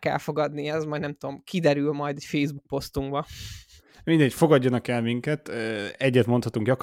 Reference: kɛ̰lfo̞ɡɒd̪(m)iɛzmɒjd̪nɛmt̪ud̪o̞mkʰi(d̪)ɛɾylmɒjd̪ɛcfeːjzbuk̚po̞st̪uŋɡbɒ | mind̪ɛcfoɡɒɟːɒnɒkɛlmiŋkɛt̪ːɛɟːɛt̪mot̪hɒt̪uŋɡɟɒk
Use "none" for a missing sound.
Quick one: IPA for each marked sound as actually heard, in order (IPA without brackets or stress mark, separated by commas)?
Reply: n, d̪